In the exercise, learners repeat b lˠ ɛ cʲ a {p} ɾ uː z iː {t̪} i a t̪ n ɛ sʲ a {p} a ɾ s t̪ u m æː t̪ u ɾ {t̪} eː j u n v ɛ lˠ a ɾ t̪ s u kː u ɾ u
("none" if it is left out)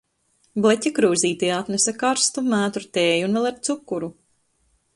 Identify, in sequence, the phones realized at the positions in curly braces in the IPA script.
k, t̪, k, t̪

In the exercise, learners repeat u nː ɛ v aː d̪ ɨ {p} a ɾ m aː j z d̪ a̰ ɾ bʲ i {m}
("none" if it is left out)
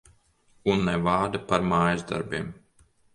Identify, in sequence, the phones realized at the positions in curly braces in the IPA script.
p, m

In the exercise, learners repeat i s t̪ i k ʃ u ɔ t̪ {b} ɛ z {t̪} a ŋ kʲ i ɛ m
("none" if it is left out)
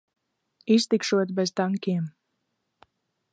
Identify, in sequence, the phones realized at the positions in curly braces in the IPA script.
b, t̪

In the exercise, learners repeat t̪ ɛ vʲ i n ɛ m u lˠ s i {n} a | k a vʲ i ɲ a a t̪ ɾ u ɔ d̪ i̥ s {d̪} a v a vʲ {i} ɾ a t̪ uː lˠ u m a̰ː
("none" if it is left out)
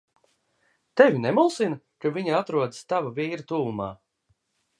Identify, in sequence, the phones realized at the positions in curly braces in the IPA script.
n, t̪, iː

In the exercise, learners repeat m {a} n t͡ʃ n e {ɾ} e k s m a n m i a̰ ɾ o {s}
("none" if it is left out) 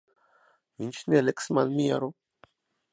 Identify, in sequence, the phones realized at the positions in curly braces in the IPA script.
i, l, none

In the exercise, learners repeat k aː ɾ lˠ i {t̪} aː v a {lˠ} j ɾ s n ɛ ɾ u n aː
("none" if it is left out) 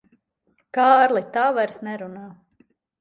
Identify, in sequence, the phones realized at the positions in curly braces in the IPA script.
t̪, none

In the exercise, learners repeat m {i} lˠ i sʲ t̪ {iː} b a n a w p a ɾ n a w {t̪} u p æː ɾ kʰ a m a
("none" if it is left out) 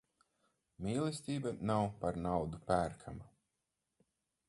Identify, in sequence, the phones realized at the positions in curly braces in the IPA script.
iː, iː, d̪

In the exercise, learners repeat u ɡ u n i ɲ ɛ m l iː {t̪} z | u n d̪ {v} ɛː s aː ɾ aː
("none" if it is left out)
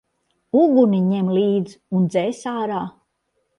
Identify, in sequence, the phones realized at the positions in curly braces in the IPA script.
d̪, z

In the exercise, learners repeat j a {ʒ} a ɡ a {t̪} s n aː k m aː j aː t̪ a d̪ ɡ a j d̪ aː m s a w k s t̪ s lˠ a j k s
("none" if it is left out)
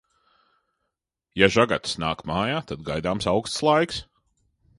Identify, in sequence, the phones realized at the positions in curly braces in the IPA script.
ʒ, t̪

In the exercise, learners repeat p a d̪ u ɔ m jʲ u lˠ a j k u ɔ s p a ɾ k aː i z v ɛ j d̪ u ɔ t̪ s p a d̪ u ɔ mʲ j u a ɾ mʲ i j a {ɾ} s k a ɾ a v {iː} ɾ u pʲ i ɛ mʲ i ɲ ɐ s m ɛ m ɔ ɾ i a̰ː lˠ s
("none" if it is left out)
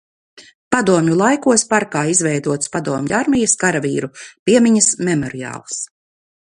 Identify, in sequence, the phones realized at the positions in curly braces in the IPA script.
none, iː

